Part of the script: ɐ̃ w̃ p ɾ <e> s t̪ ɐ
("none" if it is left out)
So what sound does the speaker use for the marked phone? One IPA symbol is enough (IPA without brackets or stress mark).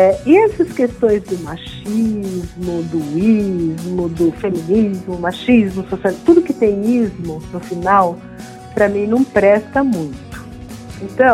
ɛ